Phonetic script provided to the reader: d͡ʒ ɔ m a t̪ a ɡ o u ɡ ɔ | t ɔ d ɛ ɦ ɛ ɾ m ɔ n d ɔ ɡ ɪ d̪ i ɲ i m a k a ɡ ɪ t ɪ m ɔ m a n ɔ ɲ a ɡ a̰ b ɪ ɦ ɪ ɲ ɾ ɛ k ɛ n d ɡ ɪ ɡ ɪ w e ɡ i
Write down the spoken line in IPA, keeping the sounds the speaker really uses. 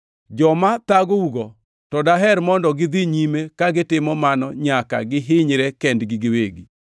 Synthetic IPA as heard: d͡ʒ ɔ m a t̪ a ɡ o u ɡ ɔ | t ɔ d a ɦ ɛ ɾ m ɔ n d ɔ ɡ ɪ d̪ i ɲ i m e k a ɡ ɪ t ɪ m ɔ m a n ɔ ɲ a k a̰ ɡ ɪ ɦ ɪ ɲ ɾ ɛ k ɛ n d ɡ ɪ ɡ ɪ w e ɡ i